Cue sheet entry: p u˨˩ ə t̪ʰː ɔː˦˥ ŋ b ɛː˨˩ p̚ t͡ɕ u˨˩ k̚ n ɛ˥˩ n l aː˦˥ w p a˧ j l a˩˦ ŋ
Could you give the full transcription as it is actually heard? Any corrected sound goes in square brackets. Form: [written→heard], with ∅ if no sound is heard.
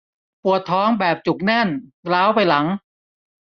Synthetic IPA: p u˨˩ ə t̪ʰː ɔː˦˥ ŋ b ɛː˨˩ p̚ t͡ɕ u˨˩ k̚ n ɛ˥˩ n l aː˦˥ w p a˧ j l a˩˦ ŋ

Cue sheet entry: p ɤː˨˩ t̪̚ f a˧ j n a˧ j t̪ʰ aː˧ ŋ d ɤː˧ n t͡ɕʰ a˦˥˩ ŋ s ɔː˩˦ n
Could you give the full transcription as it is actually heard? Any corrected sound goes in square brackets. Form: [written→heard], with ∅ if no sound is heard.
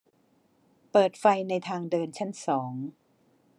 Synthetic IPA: p ɤː˨˩ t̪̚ f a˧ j n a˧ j t̪ʰ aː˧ ŋ d ɤː˧ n t͡ɕʰ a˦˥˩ [ŋ→n] s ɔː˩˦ [n→ŋ]

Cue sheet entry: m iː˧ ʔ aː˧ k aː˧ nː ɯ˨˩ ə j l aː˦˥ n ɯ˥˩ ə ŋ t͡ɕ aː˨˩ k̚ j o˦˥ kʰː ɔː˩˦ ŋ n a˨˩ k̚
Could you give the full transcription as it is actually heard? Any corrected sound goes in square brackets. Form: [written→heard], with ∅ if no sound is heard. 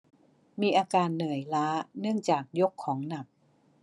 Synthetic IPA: m iː˧ ʔ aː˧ k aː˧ nː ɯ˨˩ ə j l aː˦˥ n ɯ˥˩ ə ŋ t͡ɕ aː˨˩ k̚ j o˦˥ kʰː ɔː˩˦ ŋ n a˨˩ [k̚→p̚]

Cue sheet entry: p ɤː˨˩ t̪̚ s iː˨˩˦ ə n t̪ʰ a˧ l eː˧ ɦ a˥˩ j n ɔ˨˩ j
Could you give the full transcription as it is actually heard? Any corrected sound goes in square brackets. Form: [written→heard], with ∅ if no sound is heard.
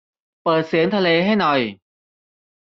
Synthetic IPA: p ɤː˨˩ t̪̚ s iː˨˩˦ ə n t̪ʰ a˧ l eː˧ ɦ a˥˩ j n ɔ˨˩ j

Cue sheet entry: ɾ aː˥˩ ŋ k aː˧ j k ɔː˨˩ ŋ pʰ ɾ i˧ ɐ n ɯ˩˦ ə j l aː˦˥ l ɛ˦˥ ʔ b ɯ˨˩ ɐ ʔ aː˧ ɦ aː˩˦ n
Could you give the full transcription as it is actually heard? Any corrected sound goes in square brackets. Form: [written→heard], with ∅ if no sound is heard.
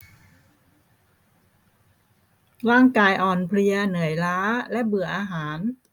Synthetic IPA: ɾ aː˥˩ ŋ k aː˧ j [k→ʔ] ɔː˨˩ [ŋ→n] pʰ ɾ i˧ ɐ n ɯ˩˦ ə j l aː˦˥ l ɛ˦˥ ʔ b ɯ˨˩ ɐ ʔ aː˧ ɦ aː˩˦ n

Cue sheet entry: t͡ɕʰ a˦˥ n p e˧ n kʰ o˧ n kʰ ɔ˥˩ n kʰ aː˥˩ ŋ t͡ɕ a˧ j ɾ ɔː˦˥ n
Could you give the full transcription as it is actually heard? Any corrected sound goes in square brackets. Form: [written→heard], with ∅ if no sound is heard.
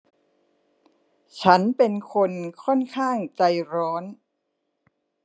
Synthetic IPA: t͡ɕʰ a˦˥ n p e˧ n kʰ o˧ n kʰ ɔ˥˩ n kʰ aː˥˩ ŋ t͡ɕ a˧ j ɾ ɔː˦˥ n

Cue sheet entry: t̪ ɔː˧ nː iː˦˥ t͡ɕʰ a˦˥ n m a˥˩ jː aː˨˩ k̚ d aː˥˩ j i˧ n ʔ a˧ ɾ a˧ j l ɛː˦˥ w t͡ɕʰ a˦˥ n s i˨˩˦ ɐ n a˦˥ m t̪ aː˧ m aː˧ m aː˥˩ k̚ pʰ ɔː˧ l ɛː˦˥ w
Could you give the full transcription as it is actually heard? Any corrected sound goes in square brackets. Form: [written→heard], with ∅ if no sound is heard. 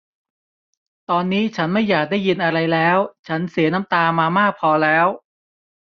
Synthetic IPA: t̪ ɔː˧ nː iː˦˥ t͡ɕʰ a˦˥ n m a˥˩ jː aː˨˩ k̚ d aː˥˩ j i˧ n ʔ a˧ ɾ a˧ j l ɛː˦˥ w t͡ɕʰ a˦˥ n s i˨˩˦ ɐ n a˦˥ m t̪ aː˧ m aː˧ m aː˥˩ k̚ pʰ ɔː˧ l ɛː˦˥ w

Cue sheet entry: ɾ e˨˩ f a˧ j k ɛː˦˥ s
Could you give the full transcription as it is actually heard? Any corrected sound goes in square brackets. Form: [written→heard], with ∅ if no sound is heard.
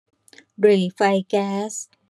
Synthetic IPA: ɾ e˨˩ f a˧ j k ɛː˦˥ s

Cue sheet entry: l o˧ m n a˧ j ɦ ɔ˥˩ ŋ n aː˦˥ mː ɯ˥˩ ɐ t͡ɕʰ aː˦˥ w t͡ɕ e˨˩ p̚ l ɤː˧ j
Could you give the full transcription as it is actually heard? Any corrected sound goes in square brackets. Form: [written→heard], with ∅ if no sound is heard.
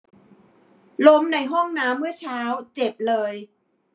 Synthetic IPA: l [o˧→o˦˥] m n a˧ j ɦ ɔ˥˩ ŋ n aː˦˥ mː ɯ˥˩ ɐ t͡ɕʰ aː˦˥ w t͡ɕ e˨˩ p̚ l ɤː˧ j

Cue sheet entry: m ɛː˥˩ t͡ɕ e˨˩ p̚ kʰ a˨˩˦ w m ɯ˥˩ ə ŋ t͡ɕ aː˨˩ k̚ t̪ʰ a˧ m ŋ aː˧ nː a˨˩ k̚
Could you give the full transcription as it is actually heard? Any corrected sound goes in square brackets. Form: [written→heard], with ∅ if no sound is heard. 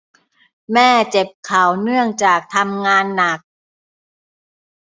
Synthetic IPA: m ɛː˥˩ t͡ɕ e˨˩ p̚ kʰ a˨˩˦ w [m→n] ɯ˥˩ ə ŋ t͡ɕ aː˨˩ k̚ t̪ʰ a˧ m ŋ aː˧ nː a˨˩ k̚

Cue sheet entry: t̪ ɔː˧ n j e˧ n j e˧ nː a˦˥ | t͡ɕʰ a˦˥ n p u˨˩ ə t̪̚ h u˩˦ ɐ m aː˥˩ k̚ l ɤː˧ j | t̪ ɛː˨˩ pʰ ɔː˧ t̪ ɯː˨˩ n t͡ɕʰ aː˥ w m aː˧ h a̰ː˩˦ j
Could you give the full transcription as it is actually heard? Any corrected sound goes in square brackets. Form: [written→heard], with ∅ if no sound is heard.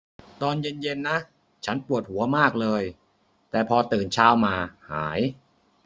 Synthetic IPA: t̪ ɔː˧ n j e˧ n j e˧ nː a˦˥ | t͡ɕʰ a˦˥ n p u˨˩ ə t̪̚ h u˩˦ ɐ m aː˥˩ k̚ l ɤː˧ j | t̪ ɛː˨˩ pʰ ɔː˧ t̪ ɯː˨˩ n t͡ɕʰ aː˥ w m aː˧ h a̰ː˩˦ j

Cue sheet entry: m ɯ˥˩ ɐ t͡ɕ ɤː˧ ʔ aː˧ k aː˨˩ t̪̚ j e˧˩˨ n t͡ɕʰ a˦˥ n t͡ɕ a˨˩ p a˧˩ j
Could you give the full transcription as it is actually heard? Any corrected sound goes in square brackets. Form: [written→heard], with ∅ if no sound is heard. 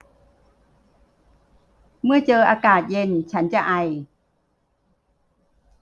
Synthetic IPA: m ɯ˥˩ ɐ t͡ɕ ɤː˧ ʔ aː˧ k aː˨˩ t̪̚ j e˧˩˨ n t͡ɕʰ a˦˥ n t͡ɕ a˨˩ [p→ʔ] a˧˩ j

